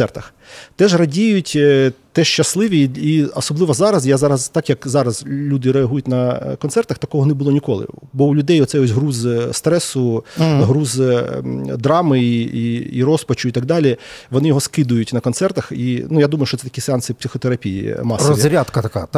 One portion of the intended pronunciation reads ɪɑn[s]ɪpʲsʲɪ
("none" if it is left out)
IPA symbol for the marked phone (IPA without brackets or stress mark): s